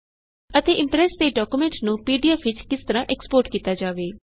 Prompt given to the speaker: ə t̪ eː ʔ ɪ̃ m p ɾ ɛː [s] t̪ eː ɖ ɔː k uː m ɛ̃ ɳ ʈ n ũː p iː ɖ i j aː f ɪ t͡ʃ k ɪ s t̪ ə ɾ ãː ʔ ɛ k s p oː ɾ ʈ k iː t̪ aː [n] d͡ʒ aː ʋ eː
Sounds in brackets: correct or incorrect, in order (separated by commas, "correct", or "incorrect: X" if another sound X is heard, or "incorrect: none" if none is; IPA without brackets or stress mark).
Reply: correct, incorrect: none